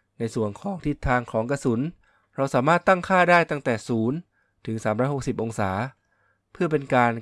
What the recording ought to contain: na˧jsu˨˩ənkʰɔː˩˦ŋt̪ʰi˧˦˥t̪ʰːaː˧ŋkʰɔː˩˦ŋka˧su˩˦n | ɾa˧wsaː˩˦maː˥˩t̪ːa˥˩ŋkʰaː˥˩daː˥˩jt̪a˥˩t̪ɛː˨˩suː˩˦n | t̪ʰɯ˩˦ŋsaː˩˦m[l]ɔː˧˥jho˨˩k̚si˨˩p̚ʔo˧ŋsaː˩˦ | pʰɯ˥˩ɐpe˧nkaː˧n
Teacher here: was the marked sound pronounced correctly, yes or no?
no